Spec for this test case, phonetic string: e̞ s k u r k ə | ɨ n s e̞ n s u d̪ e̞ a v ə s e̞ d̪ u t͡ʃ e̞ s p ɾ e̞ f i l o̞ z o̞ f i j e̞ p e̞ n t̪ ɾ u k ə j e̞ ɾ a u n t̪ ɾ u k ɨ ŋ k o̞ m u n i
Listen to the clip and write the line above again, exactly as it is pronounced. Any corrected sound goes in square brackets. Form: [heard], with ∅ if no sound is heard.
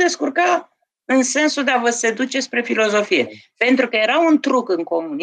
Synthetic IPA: e̞ s k u r k [a] | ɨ n s e̞ n s u d̪ e̞ a v ə s e̞ d̪ u t͡ʃ e̞ s p ɾ e̞ f i l o̞ z o̞ f i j e̞ p e̞ n t̪ ɾ u k ə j e̞ ɾ a u n t̪ ɾ u k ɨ ŋ k o̞ m u n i